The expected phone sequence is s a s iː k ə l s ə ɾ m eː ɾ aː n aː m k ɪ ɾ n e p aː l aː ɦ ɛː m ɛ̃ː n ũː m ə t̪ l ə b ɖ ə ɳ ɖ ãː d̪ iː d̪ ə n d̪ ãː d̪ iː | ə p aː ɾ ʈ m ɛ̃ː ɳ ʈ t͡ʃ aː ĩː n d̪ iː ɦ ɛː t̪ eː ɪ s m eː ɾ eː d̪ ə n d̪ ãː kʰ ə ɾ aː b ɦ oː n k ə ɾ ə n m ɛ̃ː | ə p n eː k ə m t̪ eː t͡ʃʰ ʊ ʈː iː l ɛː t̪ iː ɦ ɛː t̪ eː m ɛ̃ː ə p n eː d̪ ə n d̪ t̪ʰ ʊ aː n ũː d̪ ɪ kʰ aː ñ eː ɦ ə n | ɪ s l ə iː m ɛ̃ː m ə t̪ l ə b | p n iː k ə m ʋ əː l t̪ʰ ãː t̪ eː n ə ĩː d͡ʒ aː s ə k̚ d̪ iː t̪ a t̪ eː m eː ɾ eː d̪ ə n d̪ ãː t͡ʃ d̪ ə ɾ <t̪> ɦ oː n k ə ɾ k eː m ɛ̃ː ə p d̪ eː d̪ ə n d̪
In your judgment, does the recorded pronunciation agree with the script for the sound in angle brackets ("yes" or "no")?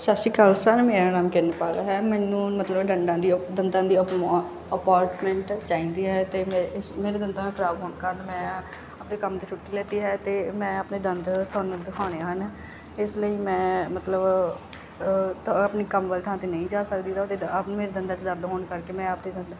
no